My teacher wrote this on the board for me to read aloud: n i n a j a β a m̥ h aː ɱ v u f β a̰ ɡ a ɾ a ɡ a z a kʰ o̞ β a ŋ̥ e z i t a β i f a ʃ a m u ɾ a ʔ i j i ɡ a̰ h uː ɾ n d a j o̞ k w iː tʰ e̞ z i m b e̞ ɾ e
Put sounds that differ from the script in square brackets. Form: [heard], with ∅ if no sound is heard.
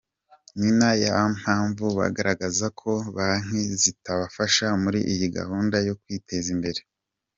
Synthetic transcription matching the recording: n i n a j a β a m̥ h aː ɱ v u [∅] β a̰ ɡ a ɾ a ɡ a z a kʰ o̞ β a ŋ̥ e z i t a β [a] f a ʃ a m u ɾ [i] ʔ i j i ɡ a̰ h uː [∅] n d a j o̞ k w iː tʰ e̞ z i m b e̞ ɾ e

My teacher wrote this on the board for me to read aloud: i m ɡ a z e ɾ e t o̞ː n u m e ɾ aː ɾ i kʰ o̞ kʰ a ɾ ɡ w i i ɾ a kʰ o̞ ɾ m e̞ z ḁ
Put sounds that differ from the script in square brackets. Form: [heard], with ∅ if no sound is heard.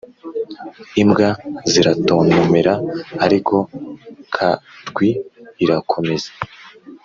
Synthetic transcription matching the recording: i m ɡ a z [i] ɾ [a] t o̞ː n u m e ɾ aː ɾ i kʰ o̞ kʰ a ɾ ɡ w i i ɾ a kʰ o̞ [∅] m e̞ z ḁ

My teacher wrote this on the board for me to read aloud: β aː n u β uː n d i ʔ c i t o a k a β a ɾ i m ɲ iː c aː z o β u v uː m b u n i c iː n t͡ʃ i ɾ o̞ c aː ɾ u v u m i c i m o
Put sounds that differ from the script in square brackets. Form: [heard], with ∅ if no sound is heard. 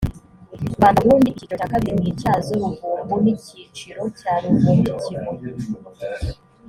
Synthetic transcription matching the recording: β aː n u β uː n d i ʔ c i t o a k a β [i] ɾ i m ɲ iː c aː z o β u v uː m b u n i c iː [∅] t͡ʃ i ɾ o̞ c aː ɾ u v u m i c i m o

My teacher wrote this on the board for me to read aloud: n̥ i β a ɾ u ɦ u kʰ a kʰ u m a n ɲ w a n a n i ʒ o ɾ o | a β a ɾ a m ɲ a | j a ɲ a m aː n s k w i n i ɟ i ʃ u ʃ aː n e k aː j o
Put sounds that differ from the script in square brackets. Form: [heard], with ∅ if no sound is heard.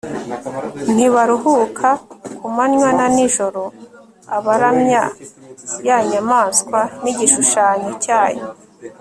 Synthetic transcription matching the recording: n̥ i β a ɾ u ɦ u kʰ a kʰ u m a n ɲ w a n a n i ʒ o ɾ o | a β a ɾ a m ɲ a | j a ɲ a m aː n s k w [a] n i ɟ i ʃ u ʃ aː [ɲ] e [c] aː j o

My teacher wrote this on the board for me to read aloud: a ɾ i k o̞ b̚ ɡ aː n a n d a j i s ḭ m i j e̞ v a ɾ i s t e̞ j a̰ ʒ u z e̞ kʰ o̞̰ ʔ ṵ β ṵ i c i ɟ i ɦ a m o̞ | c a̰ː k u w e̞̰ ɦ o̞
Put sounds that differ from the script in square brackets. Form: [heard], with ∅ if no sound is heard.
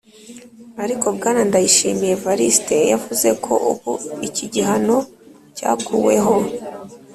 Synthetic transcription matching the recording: a ɾ i k o̞ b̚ ɡ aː n a n d a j i [ʃ] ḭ m i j e̞ v a ɾ i s t e̞ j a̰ [v] u z e̞ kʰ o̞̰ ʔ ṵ β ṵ i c i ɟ i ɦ a [n] o̞ | c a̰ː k u w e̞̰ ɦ o̞

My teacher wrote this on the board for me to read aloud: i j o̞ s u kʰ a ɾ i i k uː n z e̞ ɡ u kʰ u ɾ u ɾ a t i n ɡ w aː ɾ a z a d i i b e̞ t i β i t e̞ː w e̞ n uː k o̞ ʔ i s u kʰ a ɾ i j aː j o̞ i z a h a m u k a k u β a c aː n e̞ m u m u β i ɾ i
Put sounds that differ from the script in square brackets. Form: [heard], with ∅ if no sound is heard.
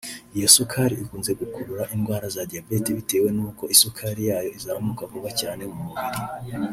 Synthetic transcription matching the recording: i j o̞ s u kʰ a ɾ i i k uː n z e̞ ɡ u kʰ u ɾ u ɾ a [ʔ] i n ɡ w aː ɾ a z a d i [a] b e̞ t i β i t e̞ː w e̞ n uː k o̞ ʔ i s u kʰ a ɾ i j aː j o̞ i z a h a m u k a k u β a c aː n e̞ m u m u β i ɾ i

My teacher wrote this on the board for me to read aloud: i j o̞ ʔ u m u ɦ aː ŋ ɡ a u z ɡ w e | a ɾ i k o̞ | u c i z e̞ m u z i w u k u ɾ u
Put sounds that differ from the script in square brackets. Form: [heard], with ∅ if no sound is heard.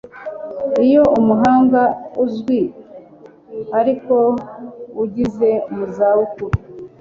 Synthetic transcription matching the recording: i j o̞ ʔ u m u ɦ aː ŋ ɡ a u z ɡ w [i] | a ɾ i k o̞ | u [ɟ] i z e̞ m u z [a] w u k u ɾ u

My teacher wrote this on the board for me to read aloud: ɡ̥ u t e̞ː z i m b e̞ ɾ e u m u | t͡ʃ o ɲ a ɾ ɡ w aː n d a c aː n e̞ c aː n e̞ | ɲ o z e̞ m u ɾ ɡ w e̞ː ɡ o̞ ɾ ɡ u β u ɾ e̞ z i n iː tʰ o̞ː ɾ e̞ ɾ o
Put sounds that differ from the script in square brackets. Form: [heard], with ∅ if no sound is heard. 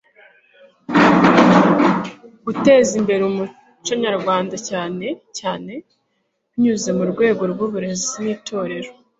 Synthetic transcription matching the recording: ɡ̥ u t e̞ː z i m b e̞ ɾ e u m u | t͡ʃ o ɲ a ɾ ɡ w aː n d a c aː n e̞ c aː n e̞ | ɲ [u] z e̞ m u ɾ ɡ w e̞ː ɡ o̞ ɾ ɡ u β u ɾ e̞ z i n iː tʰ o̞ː ɾ e̞ ɾ o

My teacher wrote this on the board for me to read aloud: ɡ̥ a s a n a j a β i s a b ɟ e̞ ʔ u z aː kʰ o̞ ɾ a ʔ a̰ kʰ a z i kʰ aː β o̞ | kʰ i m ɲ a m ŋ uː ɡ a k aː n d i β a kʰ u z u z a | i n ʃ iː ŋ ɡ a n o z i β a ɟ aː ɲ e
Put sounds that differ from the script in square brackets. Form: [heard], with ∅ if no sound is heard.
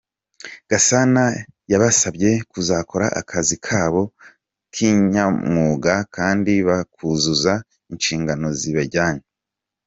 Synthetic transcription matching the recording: ɡ̥ a s a n a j a β [a] s a b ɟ e̞ [k] u z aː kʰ o̞ ɾ a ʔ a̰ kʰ a z i kʰ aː β o̞ | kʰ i [ɲ] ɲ a m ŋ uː ɡ a k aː n d i β a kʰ u z u z a | i n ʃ iː ŋ ɡ a n o z i β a ɟ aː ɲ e

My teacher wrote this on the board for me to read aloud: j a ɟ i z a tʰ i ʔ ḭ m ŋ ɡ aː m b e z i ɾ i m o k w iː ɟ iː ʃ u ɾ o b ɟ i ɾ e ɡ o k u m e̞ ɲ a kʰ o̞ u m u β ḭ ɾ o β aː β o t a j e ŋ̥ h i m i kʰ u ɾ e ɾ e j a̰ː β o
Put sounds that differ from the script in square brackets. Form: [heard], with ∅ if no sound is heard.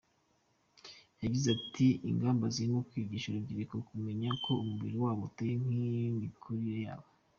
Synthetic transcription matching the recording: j a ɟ i z a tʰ i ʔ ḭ [∅] ŋ ɡ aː m b [a] z i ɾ i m o k w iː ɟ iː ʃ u ɾ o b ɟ i ɾ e [k] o k u m e̞ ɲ a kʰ o̞ u m u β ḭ ɾ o [w] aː β o t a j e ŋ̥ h i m i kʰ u ɾ [i] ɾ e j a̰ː β o

